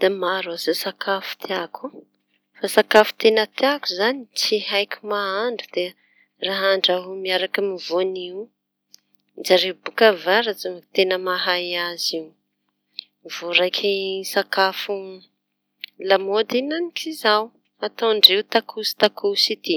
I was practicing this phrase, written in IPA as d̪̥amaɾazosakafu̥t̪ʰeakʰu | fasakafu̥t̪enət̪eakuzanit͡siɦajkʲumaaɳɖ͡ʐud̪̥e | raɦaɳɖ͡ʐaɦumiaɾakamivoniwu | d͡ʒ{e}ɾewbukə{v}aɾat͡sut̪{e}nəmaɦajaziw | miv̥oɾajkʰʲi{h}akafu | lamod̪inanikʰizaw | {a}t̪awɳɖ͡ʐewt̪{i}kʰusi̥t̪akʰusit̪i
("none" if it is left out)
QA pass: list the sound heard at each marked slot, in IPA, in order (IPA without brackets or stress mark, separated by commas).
a, v, e, s, a, a